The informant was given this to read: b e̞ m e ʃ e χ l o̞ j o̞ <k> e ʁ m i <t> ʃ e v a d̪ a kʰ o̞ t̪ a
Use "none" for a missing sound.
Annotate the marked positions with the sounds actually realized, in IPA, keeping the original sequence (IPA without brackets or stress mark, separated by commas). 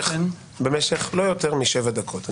t, none